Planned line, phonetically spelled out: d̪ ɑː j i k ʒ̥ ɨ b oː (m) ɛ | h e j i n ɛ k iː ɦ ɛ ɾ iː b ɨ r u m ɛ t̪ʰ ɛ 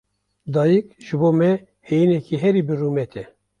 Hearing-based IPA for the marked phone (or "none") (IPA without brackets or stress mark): m